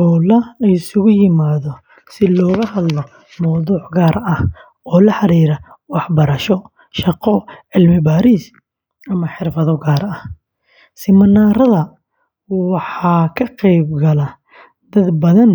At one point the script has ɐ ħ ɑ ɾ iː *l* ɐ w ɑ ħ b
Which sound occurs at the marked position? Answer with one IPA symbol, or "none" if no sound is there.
ɾ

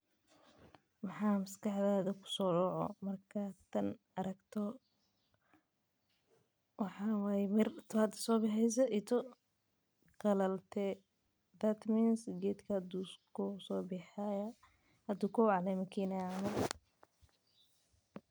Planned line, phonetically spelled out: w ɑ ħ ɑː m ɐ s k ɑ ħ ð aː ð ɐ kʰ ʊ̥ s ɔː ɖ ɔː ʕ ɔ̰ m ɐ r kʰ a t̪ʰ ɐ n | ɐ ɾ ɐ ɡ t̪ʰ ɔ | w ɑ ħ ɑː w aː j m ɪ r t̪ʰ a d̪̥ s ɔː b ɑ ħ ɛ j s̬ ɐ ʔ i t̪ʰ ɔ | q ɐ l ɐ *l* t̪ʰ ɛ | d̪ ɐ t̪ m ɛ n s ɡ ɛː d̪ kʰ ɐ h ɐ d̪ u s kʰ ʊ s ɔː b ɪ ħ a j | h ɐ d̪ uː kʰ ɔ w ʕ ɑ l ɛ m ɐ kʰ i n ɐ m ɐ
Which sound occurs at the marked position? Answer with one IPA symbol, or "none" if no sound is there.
l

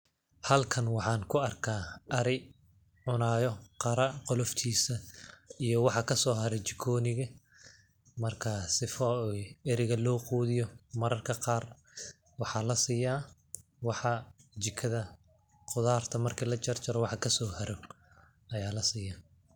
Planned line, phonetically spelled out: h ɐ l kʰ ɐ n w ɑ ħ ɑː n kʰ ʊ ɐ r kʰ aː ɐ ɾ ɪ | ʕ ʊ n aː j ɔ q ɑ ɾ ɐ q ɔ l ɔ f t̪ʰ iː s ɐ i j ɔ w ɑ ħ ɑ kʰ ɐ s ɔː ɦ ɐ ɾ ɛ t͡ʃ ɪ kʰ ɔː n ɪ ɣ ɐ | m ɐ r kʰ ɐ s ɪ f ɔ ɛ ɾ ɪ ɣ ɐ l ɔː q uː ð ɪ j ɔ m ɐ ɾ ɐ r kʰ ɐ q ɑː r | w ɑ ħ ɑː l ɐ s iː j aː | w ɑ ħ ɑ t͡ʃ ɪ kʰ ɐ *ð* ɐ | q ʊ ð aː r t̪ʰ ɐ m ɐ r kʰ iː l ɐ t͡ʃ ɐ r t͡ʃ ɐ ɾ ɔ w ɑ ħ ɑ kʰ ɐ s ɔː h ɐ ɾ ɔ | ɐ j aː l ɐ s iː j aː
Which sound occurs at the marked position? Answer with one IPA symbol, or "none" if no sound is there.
ð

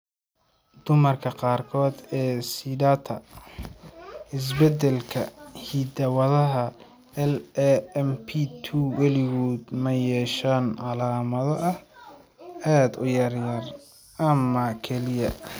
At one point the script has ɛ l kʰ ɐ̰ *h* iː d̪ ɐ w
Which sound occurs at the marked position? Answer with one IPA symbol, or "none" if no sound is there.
h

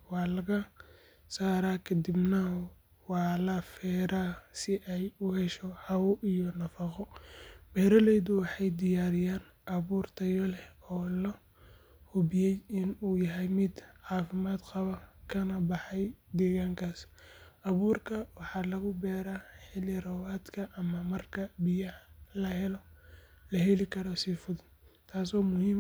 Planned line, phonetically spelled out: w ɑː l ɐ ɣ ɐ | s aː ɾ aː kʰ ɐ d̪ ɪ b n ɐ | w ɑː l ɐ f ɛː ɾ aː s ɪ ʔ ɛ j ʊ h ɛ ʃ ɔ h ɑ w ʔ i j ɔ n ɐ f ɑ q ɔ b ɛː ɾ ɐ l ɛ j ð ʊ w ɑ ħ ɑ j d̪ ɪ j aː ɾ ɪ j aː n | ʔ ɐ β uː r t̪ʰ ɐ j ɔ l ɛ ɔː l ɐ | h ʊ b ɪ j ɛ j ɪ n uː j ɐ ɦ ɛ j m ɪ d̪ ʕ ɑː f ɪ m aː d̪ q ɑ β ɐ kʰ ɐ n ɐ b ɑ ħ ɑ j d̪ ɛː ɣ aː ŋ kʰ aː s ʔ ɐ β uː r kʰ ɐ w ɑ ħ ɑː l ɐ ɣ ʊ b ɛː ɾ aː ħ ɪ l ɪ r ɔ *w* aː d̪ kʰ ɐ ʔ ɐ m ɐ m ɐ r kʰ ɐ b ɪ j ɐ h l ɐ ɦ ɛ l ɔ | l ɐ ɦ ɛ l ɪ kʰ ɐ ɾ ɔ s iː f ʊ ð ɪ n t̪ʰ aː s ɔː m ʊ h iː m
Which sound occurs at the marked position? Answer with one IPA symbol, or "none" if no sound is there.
w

